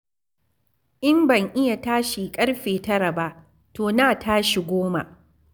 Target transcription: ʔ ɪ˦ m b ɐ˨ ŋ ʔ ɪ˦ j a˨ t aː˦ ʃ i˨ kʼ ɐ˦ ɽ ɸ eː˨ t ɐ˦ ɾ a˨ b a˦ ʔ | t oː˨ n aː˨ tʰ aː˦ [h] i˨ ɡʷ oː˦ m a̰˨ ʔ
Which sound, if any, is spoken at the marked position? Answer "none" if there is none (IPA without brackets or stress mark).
ʃ